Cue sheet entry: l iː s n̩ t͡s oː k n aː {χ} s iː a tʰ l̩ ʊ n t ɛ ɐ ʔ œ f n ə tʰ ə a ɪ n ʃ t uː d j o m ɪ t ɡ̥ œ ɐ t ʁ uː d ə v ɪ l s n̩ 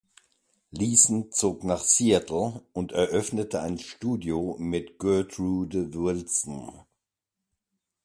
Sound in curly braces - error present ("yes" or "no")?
no